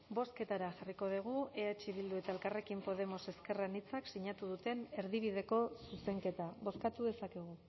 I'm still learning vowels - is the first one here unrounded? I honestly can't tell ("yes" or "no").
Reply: no